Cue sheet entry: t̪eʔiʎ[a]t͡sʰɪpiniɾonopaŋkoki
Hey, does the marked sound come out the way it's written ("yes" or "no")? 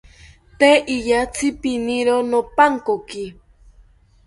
yes